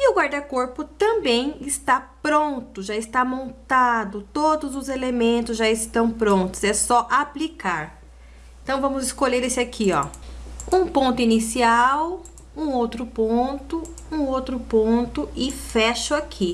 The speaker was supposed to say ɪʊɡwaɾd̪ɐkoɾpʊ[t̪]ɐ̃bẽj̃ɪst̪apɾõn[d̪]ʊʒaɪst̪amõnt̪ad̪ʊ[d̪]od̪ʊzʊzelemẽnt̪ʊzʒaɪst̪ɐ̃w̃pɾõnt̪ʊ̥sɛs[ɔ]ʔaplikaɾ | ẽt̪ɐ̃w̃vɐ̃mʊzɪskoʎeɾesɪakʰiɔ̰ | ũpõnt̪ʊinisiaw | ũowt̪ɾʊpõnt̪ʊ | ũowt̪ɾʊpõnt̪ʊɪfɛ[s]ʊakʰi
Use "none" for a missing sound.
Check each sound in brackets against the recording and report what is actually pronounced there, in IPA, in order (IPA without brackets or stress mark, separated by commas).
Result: t̪, t̪, t̪, ɔ, ʃ